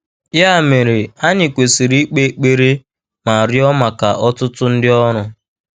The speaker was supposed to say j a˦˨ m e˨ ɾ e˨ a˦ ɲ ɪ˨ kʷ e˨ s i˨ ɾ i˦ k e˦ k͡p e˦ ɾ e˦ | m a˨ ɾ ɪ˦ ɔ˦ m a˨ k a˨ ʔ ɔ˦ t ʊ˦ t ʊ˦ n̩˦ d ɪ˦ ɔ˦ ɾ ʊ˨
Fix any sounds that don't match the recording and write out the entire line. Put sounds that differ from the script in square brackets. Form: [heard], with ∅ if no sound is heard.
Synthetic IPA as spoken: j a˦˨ m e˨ ɾ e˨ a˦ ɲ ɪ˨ kʷ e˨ s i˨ ɾ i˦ [k͡p] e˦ k͡p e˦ ɾ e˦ | m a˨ ɾ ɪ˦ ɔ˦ m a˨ k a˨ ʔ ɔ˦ t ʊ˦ t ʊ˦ n̩˦ d ɪ˦ ɔ˦ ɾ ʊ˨

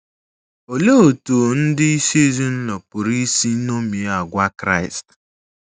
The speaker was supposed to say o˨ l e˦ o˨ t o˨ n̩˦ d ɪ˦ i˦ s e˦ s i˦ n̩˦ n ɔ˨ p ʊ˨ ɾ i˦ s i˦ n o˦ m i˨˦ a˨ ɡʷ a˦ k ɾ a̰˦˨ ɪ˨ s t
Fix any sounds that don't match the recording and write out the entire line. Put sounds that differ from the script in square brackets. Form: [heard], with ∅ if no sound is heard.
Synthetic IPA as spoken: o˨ l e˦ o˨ t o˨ n̩˦ d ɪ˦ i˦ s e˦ [z] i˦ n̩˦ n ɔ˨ p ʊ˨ ɾ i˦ s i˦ n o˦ m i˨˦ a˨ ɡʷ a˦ k ɾ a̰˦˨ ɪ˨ s t

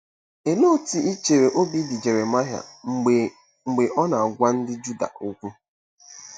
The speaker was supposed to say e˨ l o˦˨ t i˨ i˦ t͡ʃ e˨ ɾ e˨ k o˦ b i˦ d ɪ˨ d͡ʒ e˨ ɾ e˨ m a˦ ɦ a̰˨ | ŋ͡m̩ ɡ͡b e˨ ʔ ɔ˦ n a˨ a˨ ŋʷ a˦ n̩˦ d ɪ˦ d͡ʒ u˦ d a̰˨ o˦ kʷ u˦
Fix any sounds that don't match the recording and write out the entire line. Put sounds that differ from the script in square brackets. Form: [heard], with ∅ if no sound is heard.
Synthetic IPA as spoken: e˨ l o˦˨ t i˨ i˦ t͡ʃ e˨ ɾ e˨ [ʔ] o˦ b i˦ d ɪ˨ d͡ʒ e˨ ɾ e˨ m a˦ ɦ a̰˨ | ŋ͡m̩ ɡ͡b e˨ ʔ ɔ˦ n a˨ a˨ [ɡʷ] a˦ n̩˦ d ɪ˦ d͡ʒ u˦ d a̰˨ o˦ kʷ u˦

